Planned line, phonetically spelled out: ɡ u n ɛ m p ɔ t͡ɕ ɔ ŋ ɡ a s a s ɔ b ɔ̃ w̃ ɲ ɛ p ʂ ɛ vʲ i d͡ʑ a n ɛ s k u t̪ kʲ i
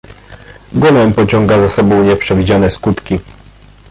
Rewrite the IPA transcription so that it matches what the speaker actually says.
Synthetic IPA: ɡ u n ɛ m p ɔ t͡ɕ ɔ ŋ ɡ a z a s ɔ b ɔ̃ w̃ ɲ ɛ p ʂ ɛ vʲ i d͡ʑ a n ɛ s k u t̪ kʲ i

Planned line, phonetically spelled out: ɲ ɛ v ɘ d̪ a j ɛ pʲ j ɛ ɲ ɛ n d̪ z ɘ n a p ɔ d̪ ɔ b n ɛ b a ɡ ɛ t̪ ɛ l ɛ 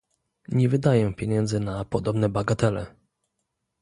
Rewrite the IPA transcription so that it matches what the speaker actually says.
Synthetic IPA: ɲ ɛ v ɘ d̪ a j ɛ pʲ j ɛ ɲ ɛ n d̪ z ɘ n a p ɔ d̪ ɔ b n ɛ b a ɡ a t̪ ɛ l ɛ

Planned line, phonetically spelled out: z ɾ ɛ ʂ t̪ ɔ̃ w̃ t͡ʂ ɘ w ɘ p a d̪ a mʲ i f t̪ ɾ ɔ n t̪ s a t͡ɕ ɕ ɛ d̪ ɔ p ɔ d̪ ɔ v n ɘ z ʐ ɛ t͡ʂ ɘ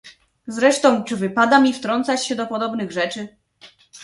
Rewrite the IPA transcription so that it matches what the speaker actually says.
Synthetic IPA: z ɾ ɛ ʂ t̪ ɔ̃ w̃ t͡ʂ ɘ v ɘ p a d̪ a mʲ i f t̪ ɾ ɔ n t̪ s a t͡ɕ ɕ ɛ d̪ ɔ p ɔ d̪ ɔ b n ɘ ɣ ʐ ɛ t͡ʂ ɘ

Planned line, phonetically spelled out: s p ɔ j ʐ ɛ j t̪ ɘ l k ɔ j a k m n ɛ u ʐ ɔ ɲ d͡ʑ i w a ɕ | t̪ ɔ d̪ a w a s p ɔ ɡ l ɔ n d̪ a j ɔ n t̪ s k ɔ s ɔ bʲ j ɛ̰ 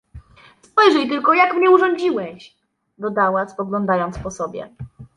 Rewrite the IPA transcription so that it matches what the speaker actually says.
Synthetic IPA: s p ɔ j ʐ ɛ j t̪ ɘ l k ɔ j a k m ɲ ɛ u ʐ ɔ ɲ d͡ʑ i w ɛ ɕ | d̪ ɔ d̪ a w a s p ɔ ɡ l ɔ n d̪ a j ɔ n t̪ s p ɔ s ɔ bʲ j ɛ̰

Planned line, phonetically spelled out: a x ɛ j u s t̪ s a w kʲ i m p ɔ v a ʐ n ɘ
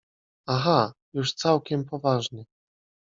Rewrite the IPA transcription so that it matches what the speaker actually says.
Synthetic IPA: a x a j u ʂ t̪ s a w kʲ ɛ m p ɔ v a ʐ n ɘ

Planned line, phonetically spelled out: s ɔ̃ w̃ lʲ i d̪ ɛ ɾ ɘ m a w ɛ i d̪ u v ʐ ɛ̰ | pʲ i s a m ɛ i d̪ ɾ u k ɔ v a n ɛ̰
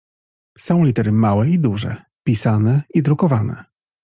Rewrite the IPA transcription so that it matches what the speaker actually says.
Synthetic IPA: s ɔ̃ w̃ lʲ i t̪ ɛ ɾ ɘ m a w ɛ i d̪ u ʐ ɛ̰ | pʲ i s a n ɛ i d̪ ɾ u k ɔ v a n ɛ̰

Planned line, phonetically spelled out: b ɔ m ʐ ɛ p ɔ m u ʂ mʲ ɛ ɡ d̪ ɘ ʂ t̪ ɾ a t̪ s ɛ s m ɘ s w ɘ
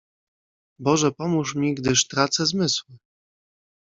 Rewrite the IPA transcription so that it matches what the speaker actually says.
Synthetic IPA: b ɔ ʐ ɛ p ɔ m u ʂ mʲ i ɡ d̪ ɘ ʂ t̪ ɾ a t̪ s ɛ z m ɘ s w ɘ

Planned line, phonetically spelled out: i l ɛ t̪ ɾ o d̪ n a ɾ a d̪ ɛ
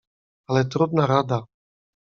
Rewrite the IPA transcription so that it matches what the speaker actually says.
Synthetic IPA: a l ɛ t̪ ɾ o d̪ n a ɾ a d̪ a

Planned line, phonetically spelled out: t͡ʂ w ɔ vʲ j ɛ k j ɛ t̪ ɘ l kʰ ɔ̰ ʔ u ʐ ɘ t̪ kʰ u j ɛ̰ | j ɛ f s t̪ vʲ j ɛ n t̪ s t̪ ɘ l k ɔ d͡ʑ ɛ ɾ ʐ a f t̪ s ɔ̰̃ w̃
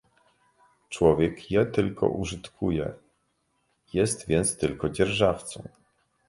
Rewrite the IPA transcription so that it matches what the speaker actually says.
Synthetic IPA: t͡ʂ w ɔ vʲ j ɛ k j ɛ t̪ ɘ l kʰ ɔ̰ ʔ u ʐ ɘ t̪ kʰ u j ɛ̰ | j ɛ s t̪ vʲ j ɛ n t̪ s t̪ ɘ l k ɔ d͡ʑ ɛ ɾ ʐ a f t̪ s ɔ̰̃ w̃

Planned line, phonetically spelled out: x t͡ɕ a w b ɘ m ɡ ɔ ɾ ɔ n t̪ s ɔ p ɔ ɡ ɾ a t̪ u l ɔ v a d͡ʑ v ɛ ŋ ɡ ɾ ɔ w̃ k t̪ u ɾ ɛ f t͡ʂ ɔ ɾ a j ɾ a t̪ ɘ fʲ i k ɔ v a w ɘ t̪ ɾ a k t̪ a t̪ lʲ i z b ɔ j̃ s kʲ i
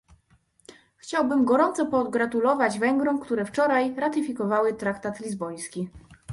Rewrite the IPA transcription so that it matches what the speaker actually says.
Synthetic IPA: x t͡ɕ a w b ɘ m ɡ ɔ ɾ ɔ n t̪ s ɔ p ɔ ɡ ɾ a t̪ u l ɔ v a d͡ʑ v ɛ ŋ ɡ ɾ ɔ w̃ k t̪ u ɾ ɛ f t͡ʂ ɔ ɾ a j ɾ a t̪ ɘ fʲ i k ɔ v a w ɘ t̪ ɾ a k t̪ a t̪ lʲ i z b ɔ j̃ s kʲ i

